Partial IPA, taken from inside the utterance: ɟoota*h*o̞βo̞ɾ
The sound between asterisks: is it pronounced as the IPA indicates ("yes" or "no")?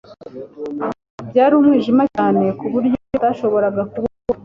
no